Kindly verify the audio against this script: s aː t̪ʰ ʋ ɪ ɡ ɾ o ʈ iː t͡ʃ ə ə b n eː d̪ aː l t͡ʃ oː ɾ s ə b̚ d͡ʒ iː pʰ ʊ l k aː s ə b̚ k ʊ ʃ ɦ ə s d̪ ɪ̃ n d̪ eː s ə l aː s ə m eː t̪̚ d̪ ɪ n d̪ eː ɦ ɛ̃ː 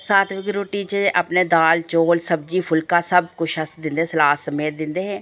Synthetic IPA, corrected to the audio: s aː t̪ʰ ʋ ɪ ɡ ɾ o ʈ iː t͡ʃ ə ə p n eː d̪ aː l t͡ʃ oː l s ə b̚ d͡ʒ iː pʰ ʊ l k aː s ə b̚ k ʊ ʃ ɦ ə s d̪ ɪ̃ n d̪ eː s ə l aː s ə m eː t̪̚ d̪ ɪ n d̪ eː ɦ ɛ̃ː